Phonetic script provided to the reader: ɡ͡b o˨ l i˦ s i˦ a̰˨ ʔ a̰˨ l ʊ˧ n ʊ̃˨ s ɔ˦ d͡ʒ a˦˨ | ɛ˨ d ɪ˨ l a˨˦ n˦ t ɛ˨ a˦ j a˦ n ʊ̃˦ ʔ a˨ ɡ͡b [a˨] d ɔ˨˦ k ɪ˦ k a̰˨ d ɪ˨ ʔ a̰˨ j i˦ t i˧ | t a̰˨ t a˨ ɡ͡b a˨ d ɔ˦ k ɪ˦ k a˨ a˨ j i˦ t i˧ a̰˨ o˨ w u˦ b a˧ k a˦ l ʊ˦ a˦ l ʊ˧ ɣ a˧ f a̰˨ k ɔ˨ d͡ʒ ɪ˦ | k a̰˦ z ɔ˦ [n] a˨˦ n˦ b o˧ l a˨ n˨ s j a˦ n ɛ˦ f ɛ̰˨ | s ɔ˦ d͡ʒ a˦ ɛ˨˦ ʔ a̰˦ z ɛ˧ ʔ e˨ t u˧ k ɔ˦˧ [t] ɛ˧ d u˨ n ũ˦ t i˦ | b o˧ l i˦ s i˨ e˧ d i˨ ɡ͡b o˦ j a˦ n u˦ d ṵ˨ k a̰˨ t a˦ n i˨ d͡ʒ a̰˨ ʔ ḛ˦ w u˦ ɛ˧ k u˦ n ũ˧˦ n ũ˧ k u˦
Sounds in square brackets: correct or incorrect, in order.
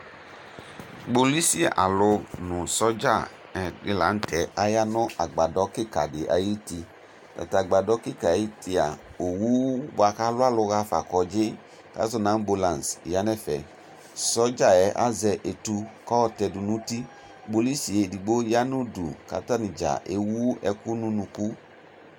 correct, correct, correct

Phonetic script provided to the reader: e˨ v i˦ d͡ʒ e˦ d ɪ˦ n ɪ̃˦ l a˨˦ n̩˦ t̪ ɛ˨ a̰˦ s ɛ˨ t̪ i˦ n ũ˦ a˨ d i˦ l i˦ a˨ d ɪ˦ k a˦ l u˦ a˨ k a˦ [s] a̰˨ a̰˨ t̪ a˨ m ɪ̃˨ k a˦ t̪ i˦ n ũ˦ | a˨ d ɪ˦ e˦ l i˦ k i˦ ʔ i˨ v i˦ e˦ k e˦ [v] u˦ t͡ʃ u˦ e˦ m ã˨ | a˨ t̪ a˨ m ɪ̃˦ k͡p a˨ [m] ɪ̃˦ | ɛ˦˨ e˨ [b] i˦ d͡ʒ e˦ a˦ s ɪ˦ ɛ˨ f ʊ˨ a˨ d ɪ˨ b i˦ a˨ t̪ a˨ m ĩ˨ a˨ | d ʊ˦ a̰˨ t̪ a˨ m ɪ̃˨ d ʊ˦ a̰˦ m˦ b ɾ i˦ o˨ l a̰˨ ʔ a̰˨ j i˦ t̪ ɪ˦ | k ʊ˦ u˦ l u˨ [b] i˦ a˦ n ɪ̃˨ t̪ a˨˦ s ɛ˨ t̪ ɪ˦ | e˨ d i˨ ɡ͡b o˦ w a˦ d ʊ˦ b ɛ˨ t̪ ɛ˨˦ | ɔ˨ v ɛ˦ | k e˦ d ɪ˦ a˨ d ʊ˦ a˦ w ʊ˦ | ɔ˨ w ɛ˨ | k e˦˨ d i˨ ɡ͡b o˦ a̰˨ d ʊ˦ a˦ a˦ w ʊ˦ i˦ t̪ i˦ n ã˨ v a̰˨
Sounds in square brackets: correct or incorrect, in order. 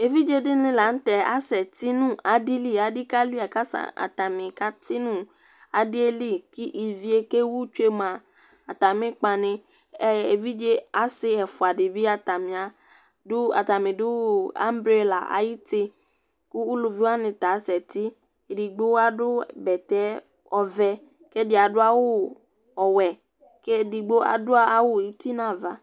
correct, incorrect: w, incorrect: n, incorrect: v, incorrect: v

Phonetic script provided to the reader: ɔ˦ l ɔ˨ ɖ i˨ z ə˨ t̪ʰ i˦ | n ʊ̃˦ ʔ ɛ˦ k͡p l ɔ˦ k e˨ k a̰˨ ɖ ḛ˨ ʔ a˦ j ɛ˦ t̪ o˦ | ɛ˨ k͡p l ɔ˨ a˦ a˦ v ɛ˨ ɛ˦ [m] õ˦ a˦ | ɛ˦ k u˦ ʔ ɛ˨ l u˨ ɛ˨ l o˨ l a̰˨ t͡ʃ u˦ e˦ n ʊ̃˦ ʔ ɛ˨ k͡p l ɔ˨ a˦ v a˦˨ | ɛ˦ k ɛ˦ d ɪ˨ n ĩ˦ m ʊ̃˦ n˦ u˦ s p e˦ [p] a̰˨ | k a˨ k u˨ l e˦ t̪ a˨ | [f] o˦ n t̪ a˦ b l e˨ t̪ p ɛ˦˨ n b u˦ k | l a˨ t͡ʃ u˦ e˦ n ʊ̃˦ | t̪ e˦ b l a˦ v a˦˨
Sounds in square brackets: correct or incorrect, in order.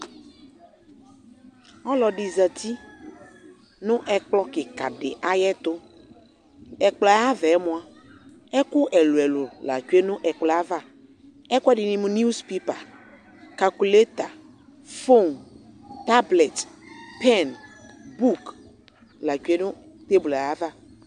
correct, correct, correct

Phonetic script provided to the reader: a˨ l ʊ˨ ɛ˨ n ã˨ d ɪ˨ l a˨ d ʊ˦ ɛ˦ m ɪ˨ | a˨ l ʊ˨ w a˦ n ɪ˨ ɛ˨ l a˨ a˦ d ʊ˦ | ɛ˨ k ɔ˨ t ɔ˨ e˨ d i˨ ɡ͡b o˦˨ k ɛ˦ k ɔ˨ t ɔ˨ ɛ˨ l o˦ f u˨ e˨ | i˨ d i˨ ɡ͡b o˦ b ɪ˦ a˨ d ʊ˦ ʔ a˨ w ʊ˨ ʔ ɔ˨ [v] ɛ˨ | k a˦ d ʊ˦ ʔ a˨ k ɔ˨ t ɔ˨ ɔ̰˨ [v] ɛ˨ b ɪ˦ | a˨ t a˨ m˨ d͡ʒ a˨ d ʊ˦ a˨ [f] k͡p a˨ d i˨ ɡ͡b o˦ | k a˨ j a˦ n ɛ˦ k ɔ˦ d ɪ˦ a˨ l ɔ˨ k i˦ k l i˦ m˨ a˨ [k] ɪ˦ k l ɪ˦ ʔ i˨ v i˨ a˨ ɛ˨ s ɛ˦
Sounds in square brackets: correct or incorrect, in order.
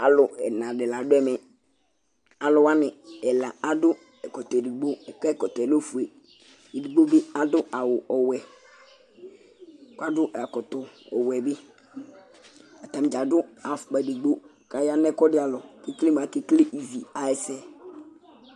incorrect: w, incorrect: w, correct, correct

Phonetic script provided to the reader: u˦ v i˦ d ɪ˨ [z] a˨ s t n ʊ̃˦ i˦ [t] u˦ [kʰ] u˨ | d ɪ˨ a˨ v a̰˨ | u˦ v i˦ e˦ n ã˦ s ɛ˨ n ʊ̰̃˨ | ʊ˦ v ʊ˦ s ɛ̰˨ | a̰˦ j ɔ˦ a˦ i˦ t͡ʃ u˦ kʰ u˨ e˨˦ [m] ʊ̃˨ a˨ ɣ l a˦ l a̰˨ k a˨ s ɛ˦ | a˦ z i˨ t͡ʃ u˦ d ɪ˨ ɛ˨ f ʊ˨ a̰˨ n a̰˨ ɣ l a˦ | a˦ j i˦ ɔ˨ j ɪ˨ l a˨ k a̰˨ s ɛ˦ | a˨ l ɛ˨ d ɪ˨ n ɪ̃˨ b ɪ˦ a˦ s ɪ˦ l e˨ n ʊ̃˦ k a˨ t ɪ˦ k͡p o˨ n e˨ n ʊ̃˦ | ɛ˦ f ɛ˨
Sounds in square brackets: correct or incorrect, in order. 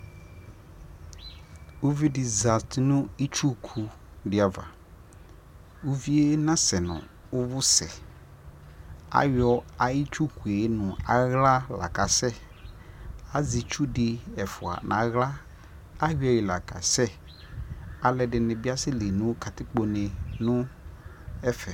correct, incorrect: t͡ʃ, correct, incorrect: n

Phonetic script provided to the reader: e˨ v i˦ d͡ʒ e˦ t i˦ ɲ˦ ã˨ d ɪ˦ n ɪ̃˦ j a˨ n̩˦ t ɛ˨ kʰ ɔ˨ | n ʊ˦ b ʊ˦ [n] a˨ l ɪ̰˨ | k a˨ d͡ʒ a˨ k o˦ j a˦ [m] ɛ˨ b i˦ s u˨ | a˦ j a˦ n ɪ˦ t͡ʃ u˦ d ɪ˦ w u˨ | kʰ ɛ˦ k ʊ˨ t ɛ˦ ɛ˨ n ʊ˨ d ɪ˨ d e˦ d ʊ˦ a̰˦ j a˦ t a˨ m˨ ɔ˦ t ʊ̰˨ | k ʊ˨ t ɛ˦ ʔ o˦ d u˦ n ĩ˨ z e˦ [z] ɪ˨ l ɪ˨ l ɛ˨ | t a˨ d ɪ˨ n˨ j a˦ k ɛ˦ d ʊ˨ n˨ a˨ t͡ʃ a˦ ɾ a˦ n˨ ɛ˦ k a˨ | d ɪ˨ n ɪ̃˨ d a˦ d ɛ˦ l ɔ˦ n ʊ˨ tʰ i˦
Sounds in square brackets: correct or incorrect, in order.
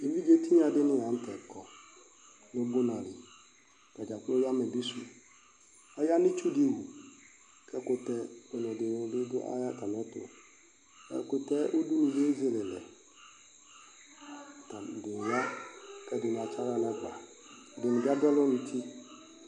correct, correct, correct

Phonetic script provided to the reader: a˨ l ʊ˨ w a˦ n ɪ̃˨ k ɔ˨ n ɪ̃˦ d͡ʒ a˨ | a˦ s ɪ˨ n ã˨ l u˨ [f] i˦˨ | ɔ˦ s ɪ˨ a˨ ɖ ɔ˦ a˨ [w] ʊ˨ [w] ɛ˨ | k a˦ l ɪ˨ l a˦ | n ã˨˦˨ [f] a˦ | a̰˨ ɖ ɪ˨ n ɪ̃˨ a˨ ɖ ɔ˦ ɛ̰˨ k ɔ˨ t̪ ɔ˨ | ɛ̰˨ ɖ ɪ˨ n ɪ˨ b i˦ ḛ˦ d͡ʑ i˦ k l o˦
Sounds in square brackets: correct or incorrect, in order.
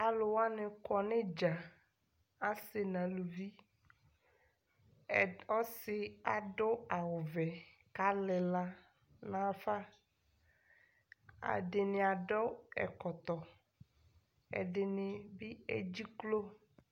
incorrect: v, correct, incorrect: v, correct

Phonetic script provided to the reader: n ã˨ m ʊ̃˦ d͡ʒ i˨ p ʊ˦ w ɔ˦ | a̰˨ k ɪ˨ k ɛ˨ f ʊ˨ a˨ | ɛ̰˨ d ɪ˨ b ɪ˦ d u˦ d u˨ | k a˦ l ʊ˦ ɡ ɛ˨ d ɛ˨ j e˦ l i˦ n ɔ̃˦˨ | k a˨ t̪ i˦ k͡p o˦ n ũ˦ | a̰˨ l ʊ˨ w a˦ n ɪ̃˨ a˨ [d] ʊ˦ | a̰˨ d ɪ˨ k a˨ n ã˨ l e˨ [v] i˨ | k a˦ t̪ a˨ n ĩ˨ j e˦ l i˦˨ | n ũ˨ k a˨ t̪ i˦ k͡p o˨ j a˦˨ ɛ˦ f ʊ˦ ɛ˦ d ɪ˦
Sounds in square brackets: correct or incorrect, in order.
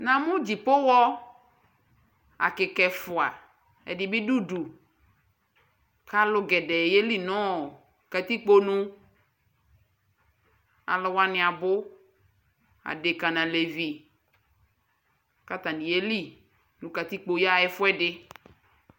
incorrect: b, correct

